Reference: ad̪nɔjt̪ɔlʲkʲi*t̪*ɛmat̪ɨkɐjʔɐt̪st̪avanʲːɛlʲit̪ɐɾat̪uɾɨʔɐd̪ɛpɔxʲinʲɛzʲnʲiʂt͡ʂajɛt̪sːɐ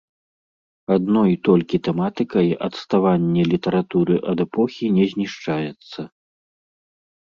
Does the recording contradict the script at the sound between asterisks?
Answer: no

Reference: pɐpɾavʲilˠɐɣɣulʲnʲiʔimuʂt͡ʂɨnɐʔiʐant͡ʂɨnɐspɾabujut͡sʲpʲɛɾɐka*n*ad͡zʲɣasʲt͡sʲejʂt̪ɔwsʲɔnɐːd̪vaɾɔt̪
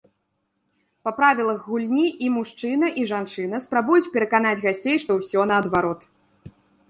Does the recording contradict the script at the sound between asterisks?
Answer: no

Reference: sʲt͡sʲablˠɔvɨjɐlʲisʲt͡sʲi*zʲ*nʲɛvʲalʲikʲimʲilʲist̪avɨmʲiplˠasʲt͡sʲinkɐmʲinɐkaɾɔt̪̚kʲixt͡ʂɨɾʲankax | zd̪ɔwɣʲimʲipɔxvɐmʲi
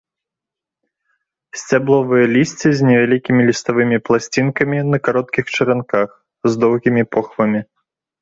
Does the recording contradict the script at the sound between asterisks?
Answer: no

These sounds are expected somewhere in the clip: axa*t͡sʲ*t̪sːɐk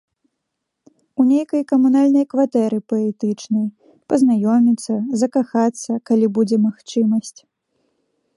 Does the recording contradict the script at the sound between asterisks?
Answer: yes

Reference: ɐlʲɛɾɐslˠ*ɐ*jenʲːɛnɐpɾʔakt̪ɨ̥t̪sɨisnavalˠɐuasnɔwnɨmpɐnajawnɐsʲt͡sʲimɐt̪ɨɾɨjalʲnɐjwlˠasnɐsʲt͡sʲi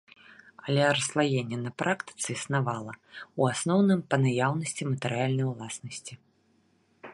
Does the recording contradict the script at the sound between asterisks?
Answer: yes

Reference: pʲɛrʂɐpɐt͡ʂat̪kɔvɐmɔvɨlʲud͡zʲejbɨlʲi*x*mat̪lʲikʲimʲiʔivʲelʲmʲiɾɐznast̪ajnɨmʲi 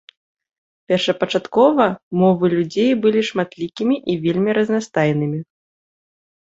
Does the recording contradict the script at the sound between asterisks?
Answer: yes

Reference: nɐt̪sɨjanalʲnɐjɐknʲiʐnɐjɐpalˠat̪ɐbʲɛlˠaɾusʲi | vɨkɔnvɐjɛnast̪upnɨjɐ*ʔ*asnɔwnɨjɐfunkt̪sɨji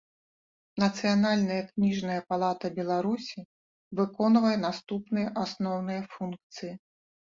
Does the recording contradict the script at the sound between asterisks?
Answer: no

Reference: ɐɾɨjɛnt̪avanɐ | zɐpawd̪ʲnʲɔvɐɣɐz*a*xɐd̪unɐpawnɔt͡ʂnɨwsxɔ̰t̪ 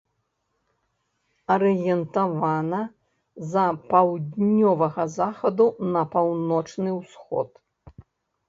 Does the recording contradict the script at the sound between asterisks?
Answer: no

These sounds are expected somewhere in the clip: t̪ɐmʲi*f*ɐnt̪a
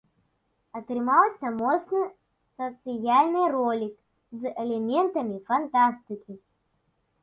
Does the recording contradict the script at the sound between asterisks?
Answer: no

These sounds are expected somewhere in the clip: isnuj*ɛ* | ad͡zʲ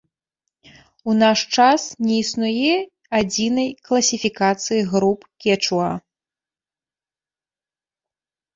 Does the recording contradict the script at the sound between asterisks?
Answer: no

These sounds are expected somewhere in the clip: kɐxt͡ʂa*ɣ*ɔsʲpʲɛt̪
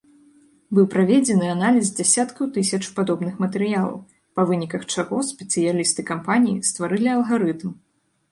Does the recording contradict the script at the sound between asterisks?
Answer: no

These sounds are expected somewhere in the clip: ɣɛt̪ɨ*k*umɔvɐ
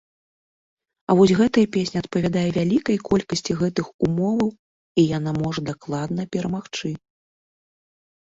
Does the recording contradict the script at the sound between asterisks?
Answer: yes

